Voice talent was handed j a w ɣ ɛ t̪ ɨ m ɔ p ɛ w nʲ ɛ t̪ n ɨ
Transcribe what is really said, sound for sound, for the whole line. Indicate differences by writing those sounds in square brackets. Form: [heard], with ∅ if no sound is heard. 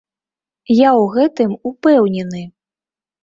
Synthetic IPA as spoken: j a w ɣ ɛ t̪ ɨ m [u] p ɛ w nʲ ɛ [∅] n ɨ